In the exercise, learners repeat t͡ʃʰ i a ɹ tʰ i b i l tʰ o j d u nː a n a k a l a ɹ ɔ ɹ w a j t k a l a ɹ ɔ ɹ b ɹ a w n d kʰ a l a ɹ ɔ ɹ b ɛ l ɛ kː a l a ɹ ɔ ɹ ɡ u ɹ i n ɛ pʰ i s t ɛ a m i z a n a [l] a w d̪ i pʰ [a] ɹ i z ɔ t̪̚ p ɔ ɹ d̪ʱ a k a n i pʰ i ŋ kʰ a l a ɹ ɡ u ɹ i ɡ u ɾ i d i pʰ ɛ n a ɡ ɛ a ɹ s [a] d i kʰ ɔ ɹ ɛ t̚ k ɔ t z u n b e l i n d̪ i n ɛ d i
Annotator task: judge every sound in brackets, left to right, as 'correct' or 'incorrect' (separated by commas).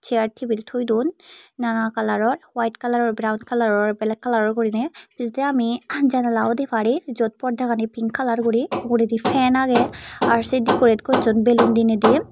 correct, correct, incorrect